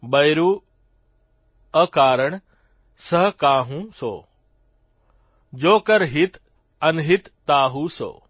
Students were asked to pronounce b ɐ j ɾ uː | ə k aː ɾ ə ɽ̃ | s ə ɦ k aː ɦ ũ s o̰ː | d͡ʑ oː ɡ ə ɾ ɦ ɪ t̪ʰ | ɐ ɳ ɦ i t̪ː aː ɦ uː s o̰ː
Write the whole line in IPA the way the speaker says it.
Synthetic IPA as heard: b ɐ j ɾ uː | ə k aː ɾ ə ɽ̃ | s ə ɦ k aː ɦ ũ s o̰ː | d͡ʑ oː k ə ɾ ɦ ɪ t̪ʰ | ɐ n ɦ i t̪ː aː ɦ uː s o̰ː